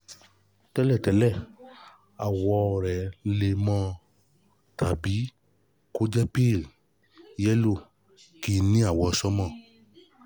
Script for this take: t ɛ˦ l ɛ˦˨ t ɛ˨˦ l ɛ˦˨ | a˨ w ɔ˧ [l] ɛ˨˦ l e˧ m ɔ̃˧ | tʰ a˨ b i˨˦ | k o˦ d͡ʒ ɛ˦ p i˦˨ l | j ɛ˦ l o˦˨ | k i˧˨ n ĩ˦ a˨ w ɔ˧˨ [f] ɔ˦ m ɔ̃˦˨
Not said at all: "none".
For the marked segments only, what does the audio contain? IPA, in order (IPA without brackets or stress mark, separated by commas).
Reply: ɾ, s